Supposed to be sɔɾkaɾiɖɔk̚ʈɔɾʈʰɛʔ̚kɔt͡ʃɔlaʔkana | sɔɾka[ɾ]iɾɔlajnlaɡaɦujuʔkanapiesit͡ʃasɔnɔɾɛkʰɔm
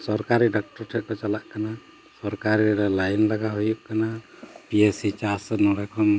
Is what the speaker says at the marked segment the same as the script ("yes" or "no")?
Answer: yes